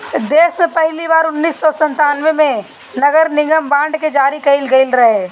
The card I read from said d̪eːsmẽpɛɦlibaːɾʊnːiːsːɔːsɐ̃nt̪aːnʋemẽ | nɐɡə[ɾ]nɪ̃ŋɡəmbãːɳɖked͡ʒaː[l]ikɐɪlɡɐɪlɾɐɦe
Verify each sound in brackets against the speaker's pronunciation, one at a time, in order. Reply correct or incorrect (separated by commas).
correct, incorrect